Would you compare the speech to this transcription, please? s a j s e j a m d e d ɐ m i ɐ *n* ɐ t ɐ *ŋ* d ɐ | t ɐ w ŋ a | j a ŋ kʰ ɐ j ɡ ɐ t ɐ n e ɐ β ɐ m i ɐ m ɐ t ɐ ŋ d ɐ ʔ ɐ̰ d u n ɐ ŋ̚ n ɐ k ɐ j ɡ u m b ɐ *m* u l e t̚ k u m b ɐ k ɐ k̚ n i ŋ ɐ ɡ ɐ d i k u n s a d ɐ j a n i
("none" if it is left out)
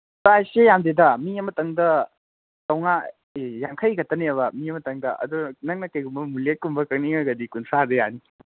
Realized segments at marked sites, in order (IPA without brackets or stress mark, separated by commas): m, ŋ, m